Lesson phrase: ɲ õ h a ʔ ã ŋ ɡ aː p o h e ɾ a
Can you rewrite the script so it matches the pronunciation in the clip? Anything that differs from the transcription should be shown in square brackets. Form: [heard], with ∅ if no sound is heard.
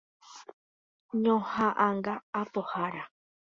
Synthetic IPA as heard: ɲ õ h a ʔ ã ŋ ɡ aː p o h [a] ɾ a